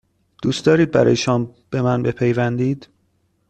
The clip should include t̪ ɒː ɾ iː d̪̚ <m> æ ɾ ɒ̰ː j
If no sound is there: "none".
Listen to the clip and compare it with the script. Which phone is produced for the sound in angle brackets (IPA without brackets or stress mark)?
b